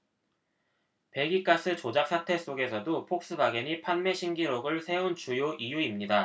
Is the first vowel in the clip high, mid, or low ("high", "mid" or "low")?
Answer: mid